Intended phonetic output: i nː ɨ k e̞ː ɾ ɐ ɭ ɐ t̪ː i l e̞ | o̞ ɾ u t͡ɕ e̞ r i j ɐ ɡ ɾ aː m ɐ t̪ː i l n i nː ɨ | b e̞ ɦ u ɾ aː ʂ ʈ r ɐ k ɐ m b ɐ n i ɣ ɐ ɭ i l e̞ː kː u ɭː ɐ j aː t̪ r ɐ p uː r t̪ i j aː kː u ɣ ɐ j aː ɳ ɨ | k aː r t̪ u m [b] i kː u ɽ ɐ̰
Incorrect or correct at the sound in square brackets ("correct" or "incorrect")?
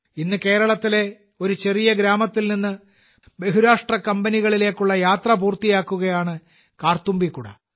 correct